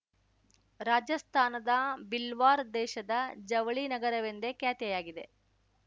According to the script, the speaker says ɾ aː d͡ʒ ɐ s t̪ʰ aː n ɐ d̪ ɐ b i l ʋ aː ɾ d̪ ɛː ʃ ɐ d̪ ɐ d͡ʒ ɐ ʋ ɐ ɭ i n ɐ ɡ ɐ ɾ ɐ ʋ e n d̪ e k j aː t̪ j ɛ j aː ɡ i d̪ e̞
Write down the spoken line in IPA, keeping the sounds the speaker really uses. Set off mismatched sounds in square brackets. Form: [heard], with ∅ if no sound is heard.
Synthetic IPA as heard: ɾ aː d͡ʒ ɐ s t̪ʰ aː n ɐ d̪ ɐ b i l ʋ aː ɾ d̪ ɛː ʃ ɐ d̪ ɐ d͡ʒ ɐ ʋ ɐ ɭ i n ɐ ɡ ɐ ɾ ɐ ʋ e n d̪ e k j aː t̪ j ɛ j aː ɡ i d̪ e̞